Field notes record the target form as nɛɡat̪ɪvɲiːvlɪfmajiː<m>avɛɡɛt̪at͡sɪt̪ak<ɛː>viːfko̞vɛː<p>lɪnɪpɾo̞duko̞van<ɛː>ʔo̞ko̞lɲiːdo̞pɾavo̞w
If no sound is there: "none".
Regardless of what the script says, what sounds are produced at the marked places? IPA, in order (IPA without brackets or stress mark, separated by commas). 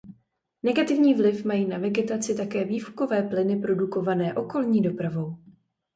n, ɛː, p, ɛː